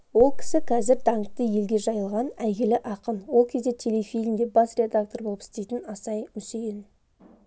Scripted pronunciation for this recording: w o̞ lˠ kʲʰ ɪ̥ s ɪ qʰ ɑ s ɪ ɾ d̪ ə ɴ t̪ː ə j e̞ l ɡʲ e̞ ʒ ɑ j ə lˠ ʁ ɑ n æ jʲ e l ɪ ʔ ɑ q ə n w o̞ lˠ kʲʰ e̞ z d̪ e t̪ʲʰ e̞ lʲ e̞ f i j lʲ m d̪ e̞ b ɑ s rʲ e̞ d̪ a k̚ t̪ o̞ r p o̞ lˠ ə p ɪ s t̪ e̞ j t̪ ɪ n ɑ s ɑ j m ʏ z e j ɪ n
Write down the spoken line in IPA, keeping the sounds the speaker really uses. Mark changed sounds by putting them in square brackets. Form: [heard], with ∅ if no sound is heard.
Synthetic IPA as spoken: w o̞ lˠ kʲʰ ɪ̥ s ɪ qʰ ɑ [z] ɪ ɾ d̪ [ɑ] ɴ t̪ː ə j e̞ l ɡʲ e̞ ʒ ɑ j ə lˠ ʁ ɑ n æ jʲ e l ɪ ʔ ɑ q ə n w o̞ lˠ kʲʰ e̞ z d̪ e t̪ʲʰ e̞ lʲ e̞ f i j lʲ m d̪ e̞ b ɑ s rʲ e̞ d̪ a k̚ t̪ o̞ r [b] o̞ lˠ ə p ɪ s t̪ e̞ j t̪ ɪ n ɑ s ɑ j m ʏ [s] e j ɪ n